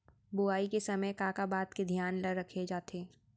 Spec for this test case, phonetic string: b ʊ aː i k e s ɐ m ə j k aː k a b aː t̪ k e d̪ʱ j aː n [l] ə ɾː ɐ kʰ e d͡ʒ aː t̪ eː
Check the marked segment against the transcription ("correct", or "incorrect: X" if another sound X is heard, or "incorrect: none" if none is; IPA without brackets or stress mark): correct